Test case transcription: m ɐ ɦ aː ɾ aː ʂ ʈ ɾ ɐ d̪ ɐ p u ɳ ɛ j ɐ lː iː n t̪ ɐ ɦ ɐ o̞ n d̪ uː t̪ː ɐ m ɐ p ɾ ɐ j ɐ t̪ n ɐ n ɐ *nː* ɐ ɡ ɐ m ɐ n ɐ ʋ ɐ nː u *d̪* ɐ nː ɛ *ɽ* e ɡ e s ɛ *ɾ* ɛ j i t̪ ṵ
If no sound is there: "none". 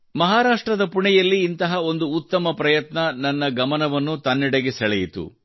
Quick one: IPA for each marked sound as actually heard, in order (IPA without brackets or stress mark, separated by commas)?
nː, t̪, ɽ, ɭ